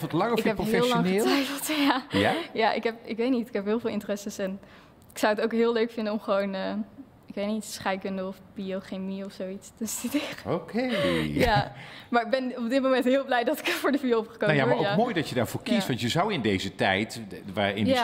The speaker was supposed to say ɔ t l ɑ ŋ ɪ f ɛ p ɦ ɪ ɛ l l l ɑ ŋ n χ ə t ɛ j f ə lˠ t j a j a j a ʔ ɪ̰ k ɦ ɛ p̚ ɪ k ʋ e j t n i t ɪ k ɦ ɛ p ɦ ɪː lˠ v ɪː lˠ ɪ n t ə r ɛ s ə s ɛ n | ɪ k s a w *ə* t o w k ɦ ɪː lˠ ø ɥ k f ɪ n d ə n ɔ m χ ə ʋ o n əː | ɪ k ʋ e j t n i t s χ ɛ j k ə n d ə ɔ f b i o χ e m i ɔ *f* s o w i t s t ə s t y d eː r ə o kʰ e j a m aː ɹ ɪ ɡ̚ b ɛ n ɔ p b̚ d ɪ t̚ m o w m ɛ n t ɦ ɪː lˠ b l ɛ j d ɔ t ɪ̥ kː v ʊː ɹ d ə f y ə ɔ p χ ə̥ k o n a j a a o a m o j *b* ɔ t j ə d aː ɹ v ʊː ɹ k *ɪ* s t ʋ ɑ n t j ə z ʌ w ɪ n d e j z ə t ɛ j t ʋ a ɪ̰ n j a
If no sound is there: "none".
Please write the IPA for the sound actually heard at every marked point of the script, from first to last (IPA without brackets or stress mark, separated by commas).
ə, f, d, i